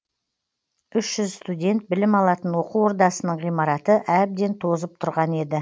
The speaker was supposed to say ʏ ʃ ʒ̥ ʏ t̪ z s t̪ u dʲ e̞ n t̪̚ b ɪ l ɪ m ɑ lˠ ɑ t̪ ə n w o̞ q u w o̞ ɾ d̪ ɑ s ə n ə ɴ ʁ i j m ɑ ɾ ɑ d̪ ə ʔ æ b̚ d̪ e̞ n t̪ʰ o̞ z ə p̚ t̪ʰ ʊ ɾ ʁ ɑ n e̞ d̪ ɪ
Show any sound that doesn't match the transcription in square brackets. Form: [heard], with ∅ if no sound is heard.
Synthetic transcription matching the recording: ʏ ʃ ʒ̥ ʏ [∅] z s t̪ u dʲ e̞ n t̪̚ b ɪ l ɪ m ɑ lˠ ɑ t̪ ə n w o̞ q u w o̞ ɾ d̪ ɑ s ə n ə ɴ ʁ i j m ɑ ɾ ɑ [t̪] ə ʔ æ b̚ d̪ e̞ n t̪ʰ o̞ z ə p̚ t̪ʰ ʊ ɾ ʁ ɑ n e̞ d̪ ɪ